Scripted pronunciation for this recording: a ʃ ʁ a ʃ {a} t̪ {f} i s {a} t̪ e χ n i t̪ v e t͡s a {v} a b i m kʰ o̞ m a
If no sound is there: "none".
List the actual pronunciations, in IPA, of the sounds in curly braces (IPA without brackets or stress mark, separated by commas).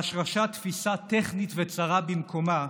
a, f, a, ʁ